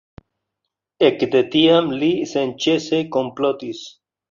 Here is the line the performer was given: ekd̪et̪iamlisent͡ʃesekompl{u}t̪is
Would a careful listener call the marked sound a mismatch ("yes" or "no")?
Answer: yes